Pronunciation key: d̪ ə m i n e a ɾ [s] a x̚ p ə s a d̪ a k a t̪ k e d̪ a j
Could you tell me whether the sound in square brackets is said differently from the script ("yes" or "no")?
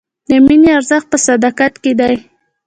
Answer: yes